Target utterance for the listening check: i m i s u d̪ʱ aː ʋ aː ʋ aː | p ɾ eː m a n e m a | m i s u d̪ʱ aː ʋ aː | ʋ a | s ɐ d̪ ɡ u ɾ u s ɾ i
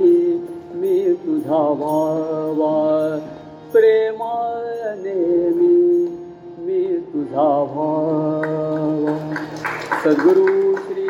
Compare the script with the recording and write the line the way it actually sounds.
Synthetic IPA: i m i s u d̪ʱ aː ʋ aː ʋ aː | p ɾ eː m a n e m i | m i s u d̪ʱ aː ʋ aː | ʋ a | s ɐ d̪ ɡ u ɾ u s ɾ i